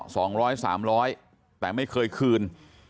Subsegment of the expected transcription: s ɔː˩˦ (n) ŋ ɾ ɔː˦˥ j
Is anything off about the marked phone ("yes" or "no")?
yes